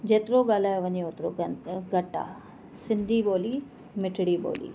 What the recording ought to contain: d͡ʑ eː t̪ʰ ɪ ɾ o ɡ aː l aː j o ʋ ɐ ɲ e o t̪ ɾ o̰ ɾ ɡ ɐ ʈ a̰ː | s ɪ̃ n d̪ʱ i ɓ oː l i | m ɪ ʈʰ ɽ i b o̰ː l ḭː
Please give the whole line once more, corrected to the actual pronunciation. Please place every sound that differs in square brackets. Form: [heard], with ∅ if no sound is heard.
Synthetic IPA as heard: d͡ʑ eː [t̪] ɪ ɾ o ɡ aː l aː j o ʋ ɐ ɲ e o t̪ ɾ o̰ [∅] ɡ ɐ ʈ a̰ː | s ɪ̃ n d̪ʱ i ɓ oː l i | m ɪ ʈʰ ɽ i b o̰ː l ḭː